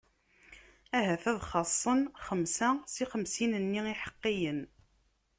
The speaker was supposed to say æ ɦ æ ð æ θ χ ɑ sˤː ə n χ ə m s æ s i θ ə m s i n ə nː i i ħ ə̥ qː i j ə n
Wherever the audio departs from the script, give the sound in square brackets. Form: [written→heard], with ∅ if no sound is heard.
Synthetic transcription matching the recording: æ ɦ æ [ð→θ] æ [θ→ð] χ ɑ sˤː ə n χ ə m s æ s i [θ→χ] ə m s i n ə nː i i ħ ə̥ qː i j ə n